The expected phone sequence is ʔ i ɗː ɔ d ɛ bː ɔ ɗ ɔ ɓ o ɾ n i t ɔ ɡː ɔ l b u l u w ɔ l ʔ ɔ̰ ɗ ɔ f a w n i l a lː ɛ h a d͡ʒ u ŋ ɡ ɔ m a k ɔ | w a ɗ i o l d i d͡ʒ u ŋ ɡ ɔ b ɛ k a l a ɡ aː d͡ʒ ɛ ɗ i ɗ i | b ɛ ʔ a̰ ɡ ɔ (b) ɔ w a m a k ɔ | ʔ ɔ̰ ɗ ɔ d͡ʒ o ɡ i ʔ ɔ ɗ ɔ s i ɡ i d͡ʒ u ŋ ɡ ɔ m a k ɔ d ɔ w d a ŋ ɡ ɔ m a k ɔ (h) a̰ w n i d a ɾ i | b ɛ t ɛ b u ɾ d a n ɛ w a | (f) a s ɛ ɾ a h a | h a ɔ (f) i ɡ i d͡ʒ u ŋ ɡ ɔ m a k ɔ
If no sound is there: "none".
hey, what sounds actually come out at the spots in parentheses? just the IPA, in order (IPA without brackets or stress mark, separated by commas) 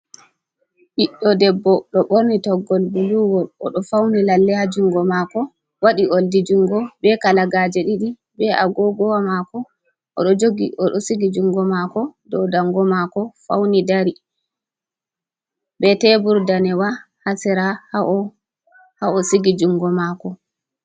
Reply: ɡ, f, h, s